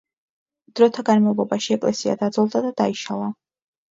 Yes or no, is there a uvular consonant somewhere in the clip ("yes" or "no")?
no